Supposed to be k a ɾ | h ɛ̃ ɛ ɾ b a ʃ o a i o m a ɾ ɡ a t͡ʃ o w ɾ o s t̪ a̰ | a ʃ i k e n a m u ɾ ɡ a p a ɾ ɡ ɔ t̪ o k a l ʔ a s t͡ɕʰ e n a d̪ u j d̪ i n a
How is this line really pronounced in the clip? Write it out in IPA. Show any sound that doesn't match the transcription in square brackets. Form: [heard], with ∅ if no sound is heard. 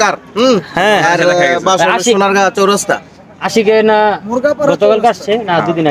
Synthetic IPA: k a ɾ | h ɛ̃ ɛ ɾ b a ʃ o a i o [n] a ɾ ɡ a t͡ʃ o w ɾ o s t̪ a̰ | a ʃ i k e n a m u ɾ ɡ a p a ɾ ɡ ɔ t̪ o k a l [k] a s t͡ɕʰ e n a d̪ u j d̪ i n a